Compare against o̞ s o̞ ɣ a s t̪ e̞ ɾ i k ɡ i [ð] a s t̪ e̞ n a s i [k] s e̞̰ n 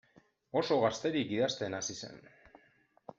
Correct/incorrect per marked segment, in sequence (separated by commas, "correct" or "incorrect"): correct, incorrect